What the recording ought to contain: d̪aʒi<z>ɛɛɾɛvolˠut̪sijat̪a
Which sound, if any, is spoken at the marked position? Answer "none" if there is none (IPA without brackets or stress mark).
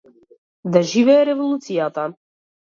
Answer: v